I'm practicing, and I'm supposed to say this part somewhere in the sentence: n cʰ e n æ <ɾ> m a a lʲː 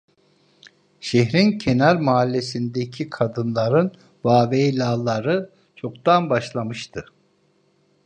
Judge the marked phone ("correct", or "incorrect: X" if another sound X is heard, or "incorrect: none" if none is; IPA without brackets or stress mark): correct